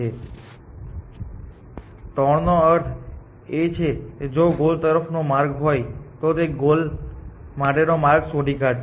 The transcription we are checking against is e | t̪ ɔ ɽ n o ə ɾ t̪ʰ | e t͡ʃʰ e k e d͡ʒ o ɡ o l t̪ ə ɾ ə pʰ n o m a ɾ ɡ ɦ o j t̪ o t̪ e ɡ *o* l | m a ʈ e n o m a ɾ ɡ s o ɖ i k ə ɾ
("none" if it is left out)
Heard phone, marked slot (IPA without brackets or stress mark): o